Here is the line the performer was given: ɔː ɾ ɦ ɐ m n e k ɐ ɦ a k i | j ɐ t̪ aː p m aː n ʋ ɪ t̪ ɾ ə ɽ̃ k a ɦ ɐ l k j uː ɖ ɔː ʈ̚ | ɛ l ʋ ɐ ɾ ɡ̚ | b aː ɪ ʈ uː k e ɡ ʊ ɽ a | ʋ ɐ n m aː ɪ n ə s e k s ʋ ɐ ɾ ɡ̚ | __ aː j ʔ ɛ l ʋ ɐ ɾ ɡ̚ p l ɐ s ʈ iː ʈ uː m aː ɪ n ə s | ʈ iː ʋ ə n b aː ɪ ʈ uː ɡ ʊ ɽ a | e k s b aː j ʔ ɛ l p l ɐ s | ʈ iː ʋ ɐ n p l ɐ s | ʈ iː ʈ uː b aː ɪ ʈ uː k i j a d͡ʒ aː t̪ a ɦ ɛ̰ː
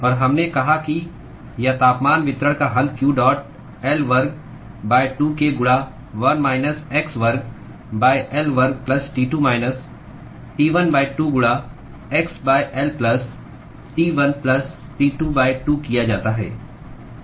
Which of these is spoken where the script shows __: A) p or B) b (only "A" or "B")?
B